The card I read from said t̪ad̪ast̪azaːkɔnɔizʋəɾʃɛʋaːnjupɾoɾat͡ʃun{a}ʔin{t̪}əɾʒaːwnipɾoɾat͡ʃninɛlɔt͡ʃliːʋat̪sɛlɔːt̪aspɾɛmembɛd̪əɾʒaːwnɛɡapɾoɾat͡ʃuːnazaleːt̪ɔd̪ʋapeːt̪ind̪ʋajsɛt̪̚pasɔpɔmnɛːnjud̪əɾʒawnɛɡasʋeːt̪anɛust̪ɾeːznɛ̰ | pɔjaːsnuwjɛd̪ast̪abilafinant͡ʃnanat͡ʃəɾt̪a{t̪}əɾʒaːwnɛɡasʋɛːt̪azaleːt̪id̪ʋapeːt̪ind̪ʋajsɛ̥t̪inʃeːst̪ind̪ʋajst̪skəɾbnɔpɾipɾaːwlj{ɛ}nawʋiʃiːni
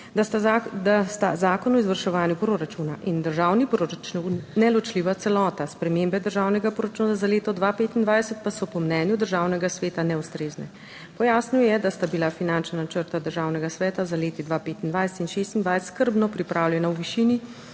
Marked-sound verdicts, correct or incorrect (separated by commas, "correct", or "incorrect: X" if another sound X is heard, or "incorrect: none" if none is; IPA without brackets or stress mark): correct, incorrect: d̪, incorrect: d̪, correct